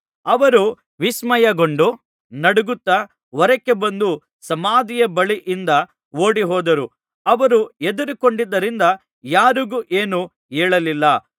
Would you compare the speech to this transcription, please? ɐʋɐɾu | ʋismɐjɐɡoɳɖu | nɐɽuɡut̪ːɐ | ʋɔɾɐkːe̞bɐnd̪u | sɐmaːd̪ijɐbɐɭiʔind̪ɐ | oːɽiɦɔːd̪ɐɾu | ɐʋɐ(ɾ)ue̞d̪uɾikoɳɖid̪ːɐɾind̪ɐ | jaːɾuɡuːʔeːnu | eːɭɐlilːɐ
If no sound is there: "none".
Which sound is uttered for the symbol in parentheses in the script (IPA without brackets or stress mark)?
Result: ɾ